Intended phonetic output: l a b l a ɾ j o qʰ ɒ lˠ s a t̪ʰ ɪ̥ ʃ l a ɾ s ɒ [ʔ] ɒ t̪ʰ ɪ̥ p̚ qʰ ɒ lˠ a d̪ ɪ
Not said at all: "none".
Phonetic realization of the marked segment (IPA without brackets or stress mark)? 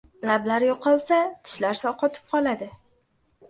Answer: q